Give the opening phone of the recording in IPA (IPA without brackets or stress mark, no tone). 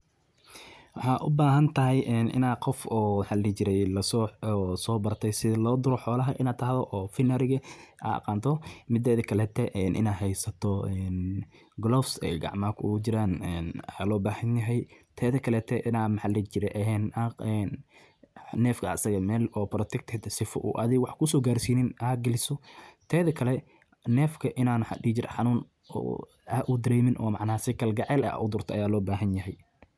w